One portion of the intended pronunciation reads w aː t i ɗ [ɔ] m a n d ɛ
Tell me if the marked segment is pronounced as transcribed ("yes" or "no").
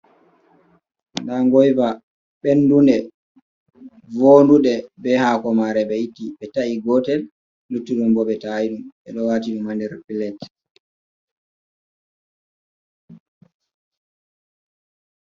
no